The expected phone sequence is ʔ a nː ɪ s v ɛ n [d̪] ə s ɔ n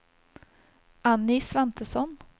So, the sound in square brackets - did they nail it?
no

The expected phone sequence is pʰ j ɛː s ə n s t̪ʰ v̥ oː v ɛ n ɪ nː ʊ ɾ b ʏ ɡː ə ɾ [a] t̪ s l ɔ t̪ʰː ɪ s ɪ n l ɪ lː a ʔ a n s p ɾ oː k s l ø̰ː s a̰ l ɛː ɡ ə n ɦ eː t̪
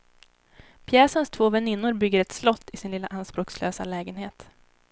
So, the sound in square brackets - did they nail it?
no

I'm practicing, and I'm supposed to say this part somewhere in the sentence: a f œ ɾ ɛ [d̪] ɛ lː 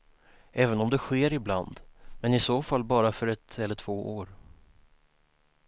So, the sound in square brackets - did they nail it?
no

